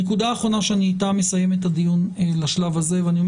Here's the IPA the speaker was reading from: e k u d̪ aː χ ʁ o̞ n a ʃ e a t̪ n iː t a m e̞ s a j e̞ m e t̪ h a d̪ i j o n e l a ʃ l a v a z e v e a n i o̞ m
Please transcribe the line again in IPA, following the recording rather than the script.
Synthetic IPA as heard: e k u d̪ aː χ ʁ o̞ n a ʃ e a n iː t a m e̞ s a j e̞ m e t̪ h a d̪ i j u n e l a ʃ l a v a z e v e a n i o̞ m